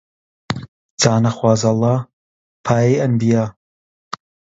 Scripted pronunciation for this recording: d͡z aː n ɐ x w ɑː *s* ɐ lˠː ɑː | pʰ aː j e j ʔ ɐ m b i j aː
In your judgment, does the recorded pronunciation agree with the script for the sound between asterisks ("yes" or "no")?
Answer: no